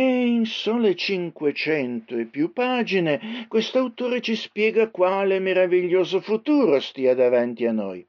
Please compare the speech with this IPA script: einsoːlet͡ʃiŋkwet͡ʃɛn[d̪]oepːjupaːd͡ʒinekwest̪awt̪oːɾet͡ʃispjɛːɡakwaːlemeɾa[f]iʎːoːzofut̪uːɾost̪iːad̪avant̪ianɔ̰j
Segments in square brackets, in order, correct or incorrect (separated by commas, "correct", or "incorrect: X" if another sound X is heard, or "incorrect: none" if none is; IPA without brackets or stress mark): incorrect: t̪, incorrect: v